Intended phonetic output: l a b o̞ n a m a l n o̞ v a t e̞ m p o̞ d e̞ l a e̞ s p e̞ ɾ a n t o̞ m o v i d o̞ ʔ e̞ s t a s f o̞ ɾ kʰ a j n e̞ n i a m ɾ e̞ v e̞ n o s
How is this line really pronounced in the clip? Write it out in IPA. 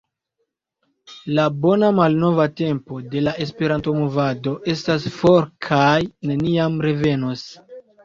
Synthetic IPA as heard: l a b o̞ n a m a l n o̞ v a t e̞ m p o̞ d e̞ l a e̞ s p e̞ ɾ a n t o̞ m o v a d o̞ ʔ e̞ s t a s f o̞ ɾ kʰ a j n e̞ n i a m ɾ e̞ v e̞ n o s